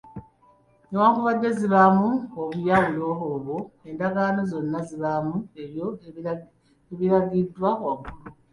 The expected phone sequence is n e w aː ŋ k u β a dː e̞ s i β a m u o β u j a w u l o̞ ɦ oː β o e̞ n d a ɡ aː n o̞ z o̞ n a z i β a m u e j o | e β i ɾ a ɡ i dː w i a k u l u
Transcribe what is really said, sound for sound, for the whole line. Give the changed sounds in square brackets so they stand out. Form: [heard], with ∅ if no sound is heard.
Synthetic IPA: n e w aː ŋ k u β a dː e̞ [z] i β a m u o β u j a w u l o̞ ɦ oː β o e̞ n d a ɡ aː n o̞ z o̞ [nː] a z i β a m u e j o | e β i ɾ a ɡ i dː w [a] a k u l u